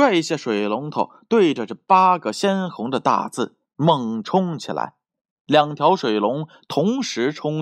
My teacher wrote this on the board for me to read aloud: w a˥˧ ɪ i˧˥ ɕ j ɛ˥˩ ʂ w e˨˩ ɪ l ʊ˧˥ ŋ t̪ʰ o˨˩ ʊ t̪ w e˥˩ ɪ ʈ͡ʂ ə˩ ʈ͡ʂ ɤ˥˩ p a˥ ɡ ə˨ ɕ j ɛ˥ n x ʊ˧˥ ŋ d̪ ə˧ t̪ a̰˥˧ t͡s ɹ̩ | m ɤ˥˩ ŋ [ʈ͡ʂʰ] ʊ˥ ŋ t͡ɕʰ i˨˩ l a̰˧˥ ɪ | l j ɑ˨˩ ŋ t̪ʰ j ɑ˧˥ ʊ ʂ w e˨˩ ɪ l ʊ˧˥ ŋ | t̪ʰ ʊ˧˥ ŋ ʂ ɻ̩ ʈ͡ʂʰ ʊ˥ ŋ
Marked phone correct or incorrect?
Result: correct